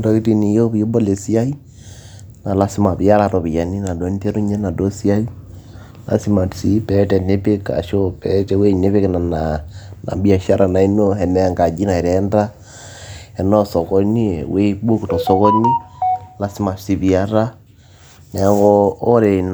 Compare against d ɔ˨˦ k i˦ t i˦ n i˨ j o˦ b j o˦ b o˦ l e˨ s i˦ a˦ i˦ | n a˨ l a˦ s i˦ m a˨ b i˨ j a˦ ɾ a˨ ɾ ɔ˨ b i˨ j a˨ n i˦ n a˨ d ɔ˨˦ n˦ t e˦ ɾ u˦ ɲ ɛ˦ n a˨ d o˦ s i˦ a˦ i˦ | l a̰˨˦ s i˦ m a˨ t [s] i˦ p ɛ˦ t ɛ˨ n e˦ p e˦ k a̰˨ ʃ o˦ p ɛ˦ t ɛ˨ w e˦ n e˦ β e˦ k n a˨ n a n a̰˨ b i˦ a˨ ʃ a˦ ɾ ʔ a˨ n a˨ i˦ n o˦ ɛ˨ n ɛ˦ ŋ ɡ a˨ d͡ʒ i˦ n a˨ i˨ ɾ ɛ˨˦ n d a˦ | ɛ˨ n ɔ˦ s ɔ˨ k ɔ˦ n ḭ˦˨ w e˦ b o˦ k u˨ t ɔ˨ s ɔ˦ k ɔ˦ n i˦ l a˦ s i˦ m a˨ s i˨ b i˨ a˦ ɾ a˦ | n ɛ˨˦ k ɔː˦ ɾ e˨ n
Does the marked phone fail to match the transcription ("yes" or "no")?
no